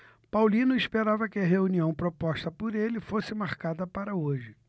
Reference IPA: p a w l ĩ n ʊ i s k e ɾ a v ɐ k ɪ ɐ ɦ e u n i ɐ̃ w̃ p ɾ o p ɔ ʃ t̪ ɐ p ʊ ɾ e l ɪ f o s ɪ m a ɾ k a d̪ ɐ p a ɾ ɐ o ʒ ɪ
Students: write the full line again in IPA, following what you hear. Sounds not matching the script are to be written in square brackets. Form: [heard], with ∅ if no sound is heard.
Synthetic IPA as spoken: p a w l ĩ n ʊ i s [p] e ɾ a v ɐ k ɪ ɐ ɦ e u n i ɐ̃ w̃ p ɾ o p ɔ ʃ t̪ ɐ p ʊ ɾ e l ɪ f o s ɪ m a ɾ k a d̪ ɐ p a ɾ ɐ o ʒ ɪ